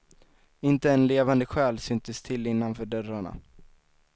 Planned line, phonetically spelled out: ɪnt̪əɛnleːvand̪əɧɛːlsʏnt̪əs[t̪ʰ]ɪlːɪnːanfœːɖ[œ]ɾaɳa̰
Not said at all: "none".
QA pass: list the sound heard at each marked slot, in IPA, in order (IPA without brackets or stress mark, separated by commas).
t̪ʰ, œ